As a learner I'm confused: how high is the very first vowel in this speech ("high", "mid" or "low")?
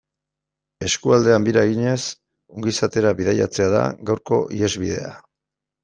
mid